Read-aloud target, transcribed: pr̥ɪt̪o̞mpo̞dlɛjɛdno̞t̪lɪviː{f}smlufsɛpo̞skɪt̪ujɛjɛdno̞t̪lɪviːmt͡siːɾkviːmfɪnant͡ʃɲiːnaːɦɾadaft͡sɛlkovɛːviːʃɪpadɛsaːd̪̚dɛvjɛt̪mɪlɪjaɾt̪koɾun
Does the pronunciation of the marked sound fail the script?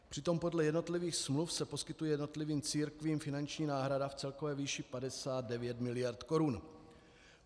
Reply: yes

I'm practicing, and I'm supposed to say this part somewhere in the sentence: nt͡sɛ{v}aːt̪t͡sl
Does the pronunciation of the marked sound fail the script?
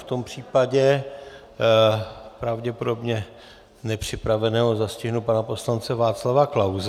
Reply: no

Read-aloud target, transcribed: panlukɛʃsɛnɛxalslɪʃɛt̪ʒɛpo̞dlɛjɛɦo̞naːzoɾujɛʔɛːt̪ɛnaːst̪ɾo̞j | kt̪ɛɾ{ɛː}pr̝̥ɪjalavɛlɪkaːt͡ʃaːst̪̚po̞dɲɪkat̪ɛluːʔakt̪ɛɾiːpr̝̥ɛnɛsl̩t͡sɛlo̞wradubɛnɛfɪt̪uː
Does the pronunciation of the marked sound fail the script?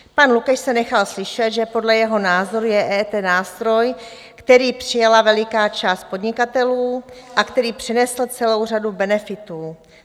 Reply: yes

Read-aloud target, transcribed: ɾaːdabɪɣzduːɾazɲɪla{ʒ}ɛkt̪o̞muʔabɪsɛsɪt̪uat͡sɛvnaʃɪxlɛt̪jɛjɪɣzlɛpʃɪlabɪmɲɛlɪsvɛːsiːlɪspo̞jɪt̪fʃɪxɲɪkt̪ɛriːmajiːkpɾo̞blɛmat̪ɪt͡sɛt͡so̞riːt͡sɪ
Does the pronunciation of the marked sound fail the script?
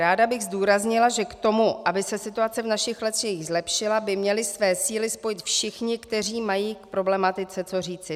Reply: no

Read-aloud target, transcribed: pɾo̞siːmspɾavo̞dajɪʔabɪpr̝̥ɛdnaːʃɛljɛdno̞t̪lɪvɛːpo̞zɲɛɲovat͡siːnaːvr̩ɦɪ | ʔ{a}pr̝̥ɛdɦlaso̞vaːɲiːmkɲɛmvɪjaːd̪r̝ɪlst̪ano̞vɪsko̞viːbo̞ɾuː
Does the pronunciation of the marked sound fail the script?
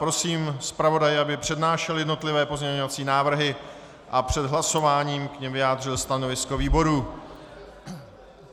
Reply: no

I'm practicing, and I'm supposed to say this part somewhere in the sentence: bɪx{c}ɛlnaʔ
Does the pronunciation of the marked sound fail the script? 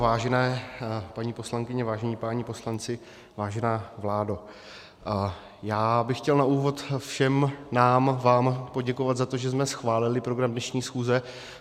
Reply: no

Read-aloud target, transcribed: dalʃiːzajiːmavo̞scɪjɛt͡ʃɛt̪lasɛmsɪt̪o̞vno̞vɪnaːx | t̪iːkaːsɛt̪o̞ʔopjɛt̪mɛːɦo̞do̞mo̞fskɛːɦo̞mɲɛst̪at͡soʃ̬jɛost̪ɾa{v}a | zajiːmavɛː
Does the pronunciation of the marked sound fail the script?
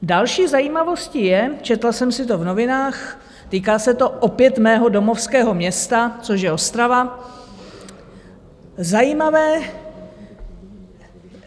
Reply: no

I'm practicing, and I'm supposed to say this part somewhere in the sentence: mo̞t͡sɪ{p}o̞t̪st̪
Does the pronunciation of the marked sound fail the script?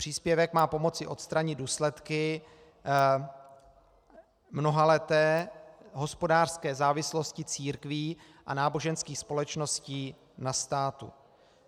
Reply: yes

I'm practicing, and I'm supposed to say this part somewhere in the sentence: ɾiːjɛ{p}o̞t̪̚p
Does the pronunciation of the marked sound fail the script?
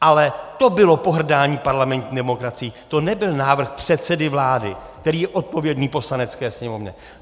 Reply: yes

